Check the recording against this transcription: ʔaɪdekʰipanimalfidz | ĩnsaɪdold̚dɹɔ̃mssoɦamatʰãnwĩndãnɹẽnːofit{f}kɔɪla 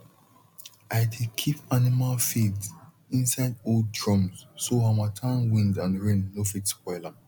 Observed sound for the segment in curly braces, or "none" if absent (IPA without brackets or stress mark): s